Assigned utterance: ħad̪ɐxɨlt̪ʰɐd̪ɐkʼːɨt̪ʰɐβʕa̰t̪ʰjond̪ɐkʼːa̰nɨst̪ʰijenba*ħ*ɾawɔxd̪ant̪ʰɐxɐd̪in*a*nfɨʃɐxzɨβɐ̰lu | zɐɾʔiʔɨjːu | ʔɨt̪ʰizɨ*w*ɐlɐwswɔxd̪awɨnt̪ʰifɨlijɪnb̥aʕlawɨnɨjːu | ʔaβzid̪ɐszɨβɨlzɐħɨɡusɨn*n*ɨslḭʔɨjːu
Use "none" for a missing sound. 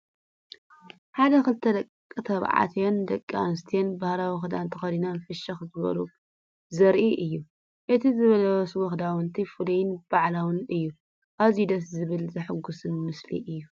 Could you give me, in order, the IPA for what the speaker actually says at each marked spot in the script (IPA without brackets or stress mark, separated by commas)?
h, a, β, m